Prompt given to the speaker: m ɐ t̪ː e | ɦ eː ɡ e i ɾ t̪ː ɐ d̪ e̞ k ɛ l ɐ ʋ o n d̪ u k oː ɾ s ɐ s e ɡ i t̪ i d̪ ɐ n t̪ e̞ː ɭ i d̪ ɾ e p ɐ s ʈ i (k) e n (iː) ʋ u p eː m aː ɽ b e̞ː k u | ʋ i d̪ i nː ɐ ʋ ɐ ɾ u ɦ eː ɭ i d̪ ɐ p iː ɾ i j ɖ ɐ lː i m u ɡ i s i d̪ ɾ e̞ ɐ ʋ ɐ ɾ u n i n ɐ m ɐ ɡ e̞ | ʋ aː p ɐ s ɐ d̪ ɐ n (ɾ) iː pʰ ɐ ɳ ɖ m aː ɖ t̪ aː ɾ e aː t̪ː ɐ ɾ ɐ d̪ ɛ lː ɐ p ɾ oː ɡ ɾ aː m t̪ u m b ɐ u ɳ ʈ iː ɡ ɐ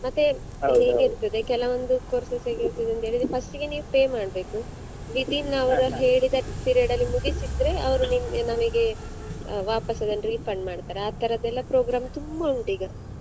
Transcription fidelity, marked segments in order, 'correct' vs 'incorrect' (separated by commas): incorrect, correct, correct